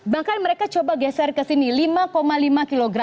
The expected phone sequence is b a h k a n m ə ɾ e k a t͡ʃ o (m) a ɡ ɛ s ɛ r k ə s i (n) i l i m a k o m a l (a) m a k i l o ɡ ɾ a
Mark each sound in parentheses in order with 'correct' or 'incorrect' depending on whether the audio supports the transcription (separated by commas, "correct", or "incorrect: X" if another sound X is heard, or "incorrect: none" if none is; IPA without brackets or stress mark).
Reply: incorrect: b, correct, incorrect: i